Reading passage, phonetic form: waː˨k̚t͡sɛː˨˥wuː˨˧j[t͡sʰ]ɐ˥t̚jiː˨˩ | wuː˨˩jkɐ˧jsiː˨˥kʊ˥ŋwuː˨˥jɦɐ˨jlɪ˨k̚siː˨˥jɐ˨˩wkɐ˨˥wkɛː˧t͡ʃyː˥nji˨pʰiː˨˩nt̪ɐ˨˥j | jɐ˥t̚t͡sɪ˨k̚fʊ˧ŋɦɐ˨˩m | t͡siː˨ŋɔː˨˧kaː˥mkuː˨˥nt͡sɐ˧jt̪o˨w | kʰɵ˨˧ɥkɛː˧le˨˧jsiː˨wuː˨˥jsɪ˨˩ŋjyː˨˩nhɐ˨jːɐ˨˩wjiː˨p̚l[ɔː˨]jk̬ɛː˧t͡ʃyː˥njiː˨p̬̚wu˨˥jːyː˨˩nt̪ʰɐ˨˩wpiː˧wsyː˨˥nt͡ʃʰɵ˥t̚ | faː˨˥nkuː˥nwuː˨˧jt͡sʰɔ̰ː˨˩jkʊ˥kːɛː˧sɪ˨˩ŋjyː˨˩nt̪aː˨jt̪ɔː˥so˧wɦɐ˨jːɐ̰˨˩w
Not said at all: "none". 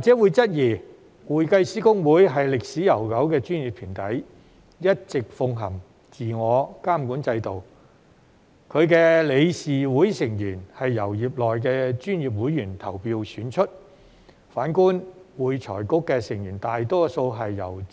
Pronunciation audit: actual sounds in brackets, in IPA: t͡s, ɔː˨

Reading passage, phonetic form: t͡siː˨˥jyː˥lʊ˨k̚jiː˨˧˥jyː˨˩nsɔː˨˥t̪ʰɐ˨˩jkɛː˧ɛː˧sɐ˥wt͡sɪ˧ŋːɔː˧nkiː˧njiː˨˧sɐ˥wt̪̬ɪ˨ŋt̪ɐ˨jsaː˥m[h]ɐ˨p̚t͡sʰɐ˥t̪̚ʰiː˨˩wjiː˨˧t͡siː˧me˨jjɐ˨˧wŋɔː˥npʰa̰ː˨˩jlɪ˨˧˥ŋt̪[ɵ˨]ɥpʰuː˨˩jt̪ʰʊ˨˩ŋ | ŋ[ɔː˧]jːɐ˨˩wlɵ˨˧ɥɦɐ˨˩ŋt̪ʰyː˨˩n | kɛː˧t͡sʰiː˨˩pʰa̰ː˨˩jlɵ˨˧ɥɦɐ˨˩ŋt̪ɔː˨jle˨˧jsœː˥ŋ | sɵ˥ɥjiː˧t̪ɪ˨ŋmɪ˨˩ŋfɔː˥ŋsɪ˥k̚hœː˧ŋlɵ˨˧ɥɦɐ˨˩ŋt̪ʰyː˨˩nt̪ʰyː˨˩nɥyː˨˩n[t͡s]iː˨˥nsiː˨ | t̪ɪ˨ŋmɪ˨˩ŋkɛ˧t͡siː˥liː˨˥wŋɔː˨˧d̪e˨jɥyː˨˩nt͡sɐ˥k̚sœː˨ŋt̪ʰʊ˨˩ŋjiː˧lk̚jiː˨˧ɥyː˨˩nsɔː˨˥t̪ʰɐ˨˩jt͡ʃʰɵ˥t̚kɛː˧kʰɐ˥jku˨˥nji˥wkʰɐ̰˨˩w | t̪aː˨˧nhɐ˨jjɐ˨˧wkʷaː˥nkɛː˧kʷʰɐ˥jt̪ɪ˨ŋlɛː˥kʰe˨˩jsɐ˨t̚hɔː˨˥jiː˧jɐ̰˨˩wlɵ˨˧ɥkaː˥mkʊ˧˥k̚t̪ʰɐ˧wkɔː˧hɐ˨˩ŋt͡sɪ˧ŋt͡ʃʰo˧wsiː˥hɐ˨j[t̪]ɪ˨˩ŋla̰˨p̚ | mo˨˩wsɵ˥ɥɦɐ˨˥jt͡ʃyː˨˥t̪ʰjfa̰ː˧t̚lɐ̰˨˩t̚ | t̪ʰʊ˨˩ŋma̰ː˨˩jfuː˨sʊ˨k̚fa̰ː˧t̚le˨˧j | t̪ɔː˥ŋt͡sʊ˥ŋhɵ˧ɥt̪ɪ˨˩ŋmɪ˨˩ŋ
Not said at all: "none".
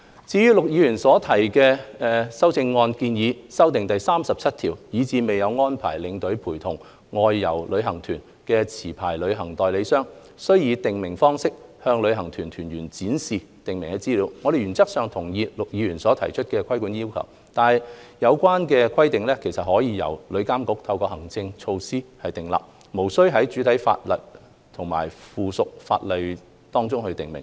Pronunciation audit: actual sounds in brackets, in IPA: s, ɵ˨˥, ɔː˧, t͡s, t̪

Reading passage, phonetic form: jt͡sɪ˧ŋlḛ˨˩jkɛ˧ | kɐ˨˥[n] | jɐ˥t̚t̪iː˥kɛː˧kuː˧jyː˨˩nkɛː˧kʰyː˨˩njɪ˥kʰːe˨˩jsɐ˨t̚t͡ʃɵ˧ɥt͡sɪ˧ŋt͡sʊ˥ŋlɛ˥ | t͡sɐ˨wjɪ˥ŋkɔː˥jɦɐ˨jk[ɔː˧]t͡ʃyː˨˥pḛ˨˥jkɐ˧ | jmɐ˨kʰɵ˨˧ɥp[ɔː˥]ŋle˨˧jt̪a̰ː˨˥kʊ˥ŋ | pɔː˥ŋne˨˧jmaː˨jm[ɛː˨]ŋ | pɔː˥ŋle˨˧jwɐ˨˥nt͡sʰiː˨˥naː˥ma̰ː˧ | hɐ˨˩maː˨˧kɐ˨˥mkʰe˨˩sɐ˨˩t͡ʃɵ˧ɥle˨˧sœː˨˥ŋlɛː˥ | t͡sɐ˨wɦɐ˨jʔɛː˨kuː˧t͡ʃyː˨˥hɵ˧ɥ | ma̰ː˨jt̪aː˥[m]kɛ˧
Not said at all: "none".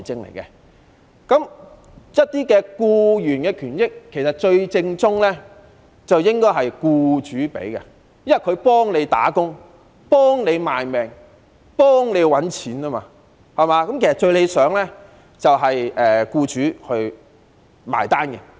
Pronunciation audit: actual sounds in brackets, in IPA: m, uː˧, ɔː˥, ɛː˨, n

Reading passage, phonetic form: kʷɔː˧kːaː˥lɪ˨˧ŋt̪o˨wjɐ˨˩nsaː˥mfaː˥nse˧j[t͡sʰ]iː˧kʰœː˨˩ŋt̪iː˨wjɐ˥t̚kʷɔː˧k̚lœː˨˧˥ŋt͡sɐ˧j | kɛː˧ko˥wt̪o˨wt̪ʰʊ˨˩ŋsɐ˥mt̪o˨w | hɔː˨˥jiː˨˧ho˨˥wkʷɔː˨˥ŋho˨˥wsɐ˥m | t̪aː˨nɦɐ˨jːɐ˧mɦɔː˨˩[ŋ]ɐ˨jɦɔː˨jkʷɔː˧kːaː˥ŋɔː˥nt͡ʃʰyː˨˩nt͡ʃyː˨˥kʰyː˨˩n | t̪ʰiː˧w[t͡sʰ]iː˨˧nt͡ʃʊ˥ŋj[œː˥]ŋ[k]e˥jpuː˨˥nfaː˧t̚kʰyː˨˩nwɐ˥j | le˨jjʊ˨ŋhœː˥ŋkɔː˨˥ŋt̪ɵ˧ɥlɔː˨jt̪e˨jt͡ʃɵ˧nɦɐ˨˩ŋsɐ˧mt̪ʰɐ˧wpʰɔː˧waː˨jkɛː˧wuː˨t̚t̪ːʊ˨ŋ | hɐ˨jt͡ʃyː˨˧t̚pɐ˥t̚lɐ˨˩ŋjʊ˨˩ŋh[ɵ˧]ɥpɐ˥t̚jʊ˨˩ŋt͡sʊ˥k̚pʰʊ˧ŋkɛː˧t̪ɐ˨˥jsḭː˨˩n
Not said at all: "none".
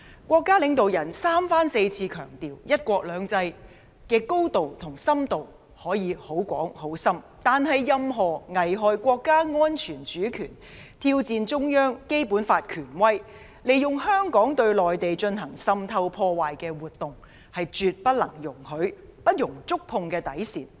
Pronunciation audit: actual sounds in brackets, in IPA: t͡sʰ, ŋ, t͡s, œː˥, k, ɵ˨˥

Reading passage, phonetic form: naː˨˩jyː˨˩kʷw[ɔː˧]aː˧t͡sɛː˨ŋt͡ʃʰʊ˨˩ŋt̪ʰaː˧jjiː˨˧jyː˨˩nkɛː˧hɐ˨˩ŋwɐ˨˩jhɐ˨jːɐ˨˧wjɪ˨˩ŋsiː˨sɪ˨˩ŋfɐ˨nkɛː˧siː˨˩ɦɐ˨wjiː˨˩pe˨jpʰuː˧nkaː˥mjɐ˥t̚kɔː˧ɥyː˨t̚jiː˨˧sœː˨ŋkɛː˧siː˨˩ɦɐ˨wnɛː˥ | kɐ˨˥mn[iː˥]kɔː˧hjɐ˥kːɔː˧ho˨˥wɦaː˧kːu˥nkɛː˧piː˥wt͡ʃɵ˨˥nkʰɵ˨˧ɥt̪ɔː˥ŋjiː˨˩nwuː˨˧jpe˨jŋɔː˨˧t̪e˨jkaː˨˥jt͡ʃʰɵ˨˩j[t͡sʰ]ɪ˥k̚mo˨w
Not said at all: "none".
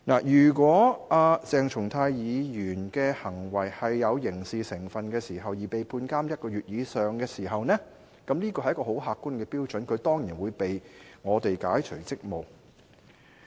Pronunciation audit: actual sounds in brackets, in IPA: ɔː˨˥, iː˥, t͡s

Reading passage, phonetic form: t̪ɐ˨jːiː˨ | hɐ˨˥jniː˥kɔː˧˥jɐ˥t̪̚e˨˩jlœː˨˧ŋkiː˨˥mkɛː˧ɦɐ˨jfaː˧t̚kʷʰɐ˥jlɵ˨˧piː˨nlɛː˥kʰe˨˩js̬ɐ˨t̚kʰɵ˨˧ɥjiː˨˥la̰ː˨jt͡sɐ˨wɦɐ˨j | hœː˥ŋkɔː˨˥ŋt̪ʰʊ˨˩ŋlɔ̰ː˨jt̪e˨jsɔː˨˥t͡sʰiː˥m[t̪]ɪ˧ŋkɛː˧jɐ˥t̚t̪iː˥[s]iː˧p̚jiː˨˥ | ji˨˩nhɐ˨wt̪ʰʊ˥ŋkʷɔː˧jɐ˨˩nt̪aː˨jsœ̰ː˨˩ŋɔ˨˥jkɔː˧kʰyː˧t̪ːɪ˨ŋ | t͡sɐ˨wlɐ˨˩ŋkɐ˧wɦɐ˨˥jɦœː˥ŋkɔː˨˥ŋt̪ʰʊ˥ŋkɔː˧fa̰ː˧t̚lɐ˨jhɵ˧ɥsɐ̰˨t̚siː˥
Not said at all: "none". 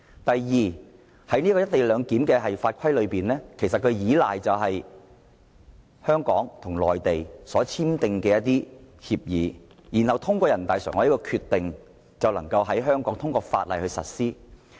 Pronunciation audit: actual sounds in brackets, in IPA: t̪, h

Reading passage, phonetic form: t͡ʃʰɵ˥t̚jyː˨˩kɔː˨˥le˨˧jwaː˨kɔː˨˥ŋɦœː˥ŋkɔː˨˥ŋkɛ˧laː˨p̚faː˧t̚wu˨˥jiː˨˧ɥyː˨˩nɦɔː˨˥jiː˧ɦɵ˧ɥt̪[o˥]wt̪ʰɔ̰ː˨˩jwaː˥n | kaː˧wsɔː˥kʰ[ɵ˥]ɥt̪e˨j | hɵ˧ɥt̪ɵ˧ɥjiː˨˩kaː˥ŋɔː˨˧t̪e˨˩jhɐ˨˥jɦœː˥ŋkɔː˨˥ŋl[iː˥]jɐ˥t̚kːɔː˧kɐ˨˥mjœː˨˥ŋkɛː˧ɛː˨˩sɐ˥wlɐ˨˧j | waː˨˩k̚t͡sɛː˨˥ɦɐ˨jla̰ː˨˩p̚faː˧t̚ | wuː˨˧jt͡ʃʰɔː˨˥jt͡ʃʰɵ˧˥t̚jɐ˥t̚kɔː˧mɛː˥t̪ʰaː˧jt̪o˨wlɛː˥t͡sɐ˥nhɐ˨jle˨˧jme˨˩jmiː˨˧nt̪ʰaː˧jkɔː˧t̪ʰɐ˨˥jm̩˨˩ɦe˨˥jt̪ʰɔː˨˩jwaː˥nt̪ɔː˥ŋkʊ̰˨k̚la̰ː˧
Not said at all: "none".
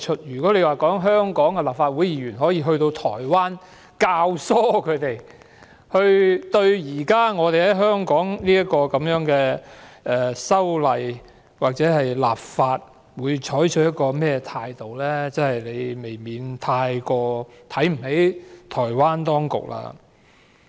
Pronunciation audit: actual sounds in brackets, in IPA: o˧, ɵ˨˧, iː˥

